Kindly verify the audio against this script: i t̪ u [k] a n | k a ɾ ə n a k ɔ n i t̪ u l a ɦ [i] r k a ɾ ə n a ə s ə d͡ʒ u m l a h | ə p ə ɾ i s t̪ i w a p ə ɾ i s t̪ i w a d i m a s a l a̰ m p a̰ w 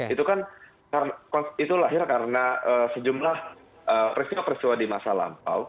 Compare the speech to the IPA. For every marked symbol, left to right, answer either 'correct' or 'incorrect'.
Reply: correct, incorrect: ɪ

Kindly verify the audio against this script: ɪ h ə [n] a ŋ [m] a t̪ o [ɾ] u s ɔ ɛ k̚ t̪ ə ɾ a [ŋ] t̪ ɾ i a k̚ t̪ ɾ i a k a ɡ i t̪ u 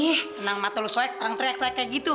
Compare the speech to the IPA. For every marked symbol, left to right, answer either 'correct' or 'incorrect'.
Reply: correct, correct, incorrect: l, correct

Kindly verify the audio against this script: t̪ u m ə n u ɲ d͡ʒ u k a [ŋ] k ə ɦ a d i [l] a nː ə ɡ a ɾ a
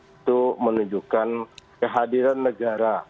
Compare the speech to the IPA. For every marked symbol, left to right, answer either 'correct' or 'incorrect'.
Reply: incorrect: n, incorrect: ɾ

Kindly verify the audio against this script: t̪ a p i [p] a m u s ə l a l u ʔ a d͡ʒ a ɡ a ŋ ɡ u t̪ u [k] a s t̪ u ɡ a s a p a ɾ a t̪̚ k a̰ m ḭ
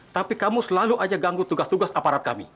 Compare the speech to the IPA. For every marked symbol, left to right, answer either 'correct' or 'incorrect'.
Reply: incorrect: k, incorrect: ɡ

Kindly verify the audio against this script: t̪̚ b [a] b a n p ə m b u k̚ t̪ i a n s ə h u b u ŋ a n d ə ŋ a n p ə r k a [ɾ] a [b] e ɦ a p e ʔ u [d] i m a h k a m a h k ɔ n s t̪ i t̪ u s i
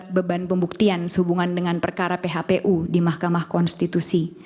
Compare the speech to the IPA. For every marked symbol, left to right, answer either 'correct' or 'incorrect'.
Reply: incorrect: ə, correct, incorrect: p, correct

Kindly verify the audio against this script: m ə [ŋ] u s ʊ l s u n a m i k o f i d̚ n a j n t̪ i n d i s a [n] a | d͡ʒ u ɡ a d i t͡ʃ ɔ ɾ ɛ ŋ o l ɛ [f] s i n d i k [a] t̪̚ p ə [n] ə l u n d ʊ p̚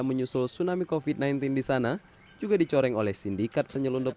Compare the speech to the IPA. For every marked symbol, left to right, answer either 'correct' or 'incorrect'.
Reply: incorrect: ɲ, correct, incorrect: h, correct, incorrect: ɲ

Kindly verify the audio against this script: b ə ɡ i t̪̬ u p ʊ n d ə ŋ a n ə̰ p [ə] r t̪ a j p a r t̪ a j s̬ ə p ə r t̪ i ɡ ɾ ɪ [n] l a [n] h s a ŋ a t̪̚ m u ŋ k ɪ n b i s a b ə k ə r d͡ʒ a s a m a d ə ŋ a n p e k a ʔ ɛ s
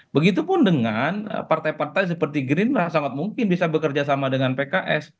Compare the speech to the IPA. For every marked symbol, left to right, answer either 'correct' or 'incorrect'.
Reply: incorrect: a, correct, incorrect: none

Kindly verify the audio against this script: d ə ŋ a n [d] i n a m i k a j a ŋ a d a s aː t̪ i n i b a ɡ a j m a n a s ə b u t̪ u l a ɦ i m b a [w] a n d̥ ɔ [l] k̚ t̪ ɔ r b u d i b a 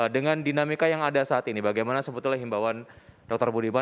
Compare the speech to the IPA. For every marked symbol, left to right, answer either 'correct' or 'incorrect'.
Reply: correct, correct, incorrect: none

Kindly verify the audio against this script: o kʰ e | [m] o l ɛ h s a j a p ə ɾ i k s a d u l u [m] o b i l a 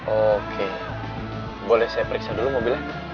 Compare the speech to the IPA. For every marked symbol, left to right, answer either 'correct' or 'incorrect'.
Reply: incorrect: b, correct

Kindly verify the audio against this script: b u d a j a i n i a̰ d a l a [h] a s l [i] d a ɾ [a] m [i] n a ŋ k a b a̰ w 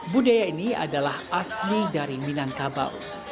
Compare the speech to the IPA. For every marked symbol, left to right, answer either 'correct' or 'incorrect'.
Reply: correct, correct, incorrect: i, correct

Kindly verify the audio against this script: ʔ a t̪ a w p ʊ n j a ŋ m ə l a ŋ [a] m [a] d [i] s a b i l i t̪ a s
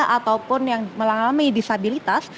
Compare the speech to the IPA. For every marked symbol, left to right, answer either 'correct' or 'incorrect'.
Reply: correct, incorrect: i, correct

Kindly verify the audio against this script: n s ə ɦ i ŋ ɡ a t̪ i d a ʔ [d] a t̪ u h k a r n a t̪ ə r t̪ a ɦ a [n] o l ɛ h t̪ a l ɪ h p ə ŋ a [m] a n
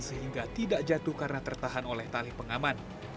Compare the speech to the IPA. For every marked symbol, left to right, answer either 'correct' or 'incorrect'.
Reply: incorrect: d͡ʒ, correct, correct

